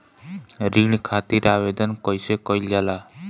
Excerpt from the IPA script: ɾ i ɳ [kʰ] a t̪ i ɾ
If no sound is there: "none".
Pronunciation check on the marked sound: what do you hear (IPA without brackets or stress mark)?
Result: kʰ